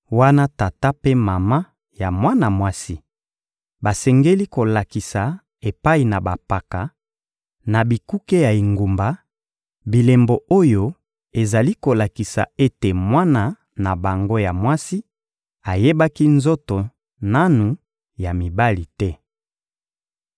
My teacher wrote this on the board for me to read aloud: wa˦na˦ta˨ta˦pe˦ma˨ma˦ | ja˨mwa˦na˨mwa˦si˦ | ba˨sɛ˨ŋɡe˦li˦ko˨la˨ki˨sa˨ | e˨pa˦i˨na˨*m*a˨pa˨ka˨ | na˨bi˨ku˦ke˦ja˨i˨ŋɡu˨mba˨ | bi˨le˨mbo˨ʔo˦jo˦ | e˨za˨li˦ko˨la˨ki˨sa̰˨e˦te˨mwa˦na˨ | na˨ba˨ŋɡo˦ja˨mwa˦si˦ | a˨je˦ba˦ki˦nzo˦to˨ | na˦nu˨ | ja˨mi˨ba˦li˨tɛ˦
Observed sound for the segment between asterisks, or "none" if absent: b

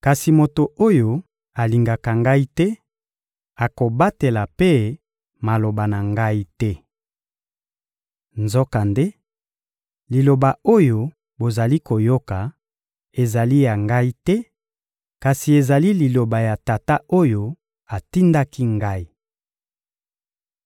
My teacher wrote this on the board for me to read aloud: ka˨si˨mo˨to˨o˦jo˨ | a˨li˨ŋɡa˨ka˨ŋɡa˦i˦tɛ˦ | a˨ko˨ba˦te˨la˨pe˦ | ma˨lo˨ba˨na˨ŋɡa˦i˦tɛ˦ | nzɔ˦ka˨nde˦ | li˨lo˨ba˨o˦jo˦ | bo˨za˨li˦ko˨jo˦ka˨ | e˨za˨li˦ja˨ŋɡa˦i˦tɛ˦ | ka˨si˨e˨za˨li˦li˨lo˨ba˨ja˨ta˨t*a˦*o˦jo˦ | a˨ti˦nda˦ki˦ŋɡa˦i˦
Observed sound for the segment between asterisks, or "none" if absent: a˦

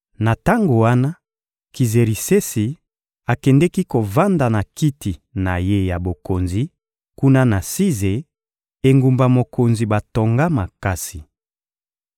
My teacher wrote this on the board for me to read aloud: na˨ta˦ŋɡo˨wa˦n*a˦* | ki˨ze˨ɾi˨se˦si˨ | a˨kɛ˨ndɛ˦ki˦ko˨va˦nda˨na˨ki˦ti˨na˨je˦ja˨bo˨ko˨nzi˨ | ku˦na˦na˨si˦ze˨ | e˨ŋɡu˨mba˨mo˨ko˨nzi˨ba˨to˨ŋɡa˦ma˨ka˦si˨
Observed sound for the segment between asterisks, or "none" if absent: a˦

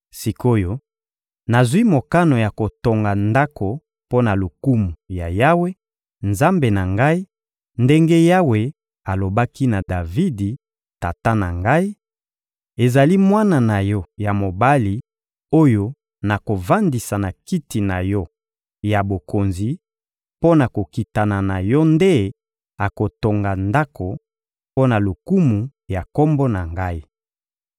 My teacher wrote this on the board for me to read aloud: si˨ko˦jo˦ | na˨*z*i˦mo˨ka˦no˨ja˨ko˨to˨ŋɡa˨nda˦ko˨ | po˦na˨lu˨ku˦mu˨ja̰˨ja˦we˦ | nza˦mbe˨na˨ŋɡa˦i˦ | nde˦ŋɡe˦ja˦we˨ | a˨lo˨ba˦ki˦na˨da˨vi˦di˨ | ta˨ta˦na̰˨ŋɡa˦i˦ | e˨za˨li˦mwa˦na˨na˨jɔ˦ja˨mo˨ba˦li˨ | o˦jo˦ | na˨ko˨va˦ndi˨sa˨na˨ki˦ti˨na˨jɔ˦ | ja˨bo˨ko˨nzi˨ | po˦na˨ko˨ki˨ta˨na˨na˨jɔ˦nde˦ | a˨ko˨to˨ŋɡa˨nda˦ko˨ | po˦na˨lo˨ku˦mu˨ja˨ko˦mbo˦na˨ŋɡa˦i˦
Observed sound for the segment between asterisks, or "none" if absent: z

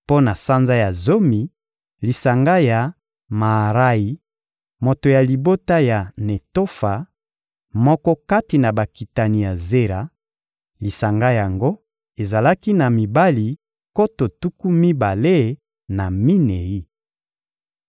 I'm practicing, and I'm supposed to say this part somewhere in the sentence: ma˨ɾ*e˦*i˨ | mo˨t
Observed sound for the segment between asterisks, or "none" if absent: a˦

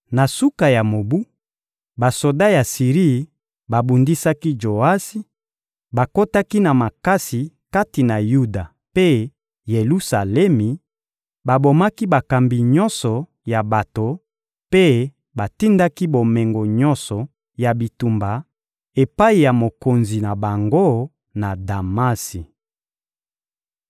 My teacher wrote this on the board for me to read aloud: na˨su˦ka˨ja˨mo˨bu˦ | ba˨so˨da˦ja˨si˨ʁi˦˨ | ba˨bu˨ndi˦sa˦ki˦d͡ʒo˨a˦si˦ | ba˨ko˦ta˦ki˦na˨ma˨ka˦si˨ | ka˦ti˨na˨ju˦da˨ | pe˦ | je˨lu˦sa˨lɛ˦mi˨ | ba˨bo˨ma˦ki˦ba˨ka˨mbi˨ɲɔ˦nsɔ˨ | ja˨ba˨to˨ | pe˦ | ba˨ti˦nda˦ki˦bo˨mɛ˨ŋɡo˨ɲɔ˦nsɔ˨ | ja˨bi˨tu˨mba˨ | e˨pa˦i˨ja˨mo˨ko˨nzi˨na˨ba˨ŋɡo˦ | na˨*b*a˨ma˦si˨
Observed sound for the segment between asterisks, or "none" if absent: d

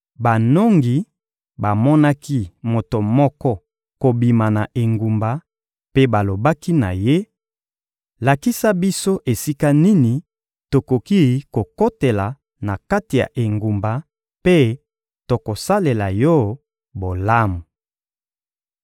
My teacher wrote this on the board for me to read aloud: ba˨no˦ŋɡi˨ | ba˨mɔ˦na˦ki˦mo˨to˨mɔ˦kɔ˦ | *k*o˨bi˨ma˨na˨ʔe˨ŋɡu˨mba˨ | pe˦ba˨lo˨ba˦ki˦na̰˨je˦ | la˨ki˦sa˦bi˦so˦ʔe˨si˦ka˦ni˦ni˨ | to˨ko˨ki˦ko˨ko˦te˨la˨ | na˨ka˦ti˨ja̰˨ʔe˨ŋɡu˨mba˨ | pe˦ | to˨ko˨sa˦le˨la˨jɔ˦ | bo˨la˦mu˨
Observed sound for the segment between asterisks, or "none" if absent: k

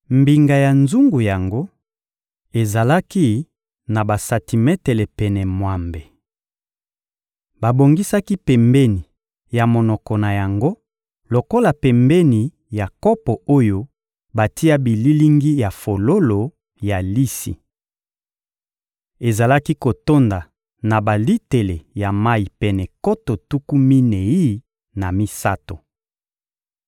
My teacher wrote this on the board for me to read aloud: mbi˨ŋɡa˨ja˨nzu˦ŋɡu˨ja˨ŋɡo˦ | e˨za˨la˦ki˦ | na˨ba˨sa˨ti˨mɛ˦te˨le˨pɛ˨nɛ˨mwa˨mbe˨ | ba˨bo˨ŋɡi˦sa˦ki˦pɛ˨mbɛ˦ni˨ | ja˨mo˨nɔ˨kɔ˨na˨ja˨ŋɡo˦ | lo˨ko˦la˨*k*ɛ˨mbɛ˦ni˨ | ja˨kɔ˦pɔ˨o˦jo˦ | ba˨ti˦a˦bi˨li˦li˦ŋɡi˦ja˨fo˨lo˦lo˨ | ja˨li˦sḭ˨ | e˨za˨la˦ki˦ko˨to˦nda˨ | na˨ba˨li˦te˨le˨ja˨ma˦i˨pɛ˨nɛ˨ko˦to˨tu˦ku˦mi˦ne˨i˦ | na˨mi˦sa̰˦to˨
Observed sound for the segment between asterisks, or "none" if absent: p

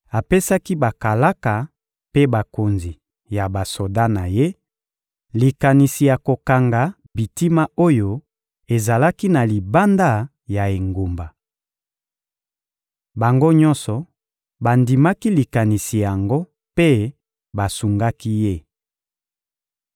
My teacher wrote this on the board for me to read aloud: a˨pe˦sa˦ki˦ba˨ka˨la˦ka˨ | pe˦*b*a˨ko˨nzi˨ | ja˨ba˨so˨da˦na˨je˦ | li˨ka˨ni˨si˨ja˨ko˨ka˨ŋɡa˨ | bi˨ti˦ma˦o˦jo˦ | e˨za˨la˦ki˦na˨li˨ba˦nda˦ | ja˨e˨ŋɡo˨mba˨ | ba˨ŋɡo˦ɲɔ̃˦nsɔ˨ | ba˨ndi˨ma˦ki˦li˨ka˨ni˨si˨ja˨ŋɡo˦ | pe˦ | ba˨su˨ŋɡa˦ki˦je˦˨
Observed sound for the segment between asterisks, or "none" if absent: b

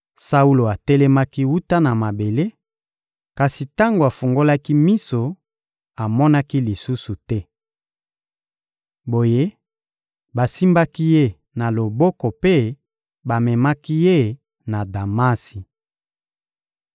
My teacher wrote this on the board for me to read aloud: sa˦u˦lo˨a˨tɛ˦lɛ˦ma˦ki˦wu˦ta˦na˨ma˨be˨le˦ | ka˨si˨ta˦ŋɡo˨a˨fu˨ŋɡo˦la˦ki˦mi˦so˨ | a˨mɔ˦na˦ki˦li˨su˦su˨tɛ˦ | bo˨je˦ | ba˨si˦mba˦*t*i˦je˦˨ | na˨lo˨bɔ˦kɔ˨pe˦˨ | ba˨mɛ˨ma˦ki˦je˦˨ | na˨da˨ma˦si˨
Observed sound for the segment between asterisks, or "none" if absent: k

